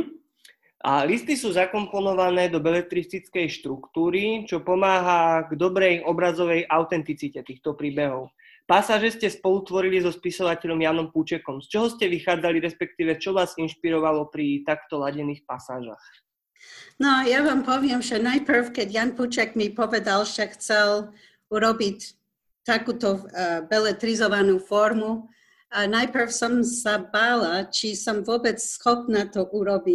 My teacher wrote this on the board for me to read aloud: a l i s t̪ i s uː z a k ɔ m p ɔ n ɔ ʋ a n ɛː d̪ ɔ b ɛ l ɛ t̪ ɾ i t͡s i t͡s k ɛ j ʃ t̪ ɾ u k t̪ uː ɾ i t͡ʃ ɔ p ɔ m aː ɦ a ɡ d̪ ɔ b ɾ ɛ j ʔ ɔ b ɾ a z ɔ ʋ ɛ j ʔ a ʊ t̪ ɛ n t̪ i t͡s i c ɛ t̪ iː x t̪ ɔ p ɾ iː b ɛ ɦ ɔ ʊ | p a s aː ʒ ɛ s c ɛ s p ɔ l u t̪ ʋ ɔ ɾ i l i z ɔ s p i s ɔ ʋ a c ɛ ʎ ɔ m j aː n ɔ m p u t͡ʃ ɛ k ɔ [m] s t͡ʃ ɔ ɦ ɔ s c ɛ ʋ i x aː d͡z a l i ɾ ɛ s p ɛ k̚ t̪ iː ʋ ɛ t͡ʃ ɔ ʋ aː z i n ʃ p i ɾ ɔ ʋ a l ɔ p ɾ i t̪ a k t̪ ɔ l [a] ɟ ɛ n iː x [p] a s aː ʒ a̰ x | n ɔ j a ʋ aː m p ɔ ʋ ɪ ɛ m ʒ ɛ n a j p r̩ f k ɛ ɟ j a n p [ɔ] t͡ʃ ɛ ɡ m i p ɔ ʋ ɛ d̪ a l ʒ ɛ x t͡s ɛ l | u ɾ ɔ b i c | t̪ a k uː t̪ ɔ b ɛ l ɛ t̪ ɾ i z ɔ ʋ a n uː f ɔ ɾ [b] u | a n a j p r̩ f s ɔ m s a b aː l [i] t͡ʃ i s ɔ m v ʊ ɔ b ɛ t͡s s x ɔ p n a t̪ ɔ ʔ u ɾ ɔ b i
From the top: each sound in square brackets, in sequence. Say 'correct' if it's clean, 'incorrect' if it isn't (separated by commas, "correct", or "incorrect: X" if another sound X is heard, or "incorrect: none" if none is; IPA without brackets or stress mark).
correct, correct, correct, incorrect: u, incorrect: m, incorrect: a